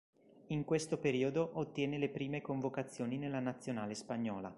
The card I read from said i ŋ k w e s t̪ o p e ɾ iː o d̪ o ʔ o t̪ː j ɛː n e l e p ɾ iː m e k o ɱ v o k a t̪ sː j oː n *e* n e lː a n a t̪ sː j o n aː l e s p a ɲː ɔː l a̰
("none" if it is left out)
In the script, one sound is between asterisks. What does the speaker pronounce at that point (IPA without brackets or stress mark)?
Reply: i